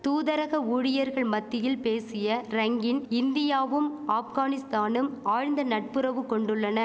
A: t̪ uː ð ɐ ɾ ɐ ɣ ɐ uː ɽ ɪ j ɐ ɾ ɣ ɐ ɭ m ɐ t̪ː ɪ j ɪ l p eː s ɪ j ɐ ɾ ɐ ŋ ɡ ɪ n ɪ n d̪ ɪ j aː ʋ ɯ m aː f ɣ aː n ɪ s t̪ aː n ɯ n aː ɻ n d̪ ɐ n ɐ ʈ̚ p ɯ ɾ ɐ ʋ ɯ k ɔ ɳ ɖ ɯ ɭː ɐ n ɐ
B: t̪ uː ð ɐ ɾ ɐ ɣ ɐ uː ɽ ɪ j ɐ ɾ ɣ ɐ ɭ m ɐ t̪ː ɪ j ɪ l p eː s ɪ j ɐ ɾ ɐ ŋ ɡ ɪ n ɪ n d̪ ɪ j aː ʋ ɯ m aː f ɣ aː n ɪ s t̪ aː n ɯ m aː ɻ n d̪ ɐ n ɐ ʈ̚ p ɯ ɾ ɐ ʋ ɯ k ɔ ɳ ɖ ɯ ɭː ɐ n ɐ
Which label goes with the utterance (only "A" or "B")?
B